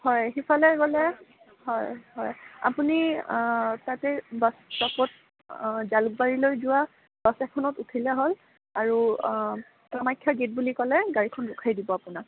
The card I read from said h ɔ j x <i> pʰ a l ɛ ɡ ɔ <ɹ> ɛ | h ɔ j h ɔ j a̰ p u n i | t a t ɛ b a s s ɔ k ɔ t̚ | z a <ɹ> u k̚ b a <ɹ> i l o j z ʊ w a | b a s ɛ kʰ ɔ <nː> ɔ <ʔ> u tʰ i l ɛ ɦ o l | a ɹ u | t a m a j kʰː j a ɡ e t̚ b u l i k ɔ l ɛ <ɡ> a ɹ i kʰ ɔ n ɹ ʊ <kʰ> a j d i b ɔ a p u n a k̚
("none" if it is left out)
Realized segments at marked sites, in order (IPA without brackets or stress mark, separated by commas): i, l, l, ɹ, n, t, ɡ, kʰ